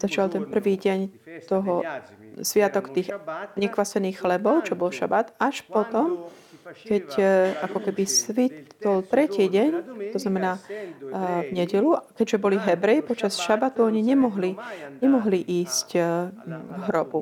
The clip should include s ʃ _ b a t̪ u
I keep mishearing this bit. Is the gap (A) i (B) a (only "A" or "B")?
B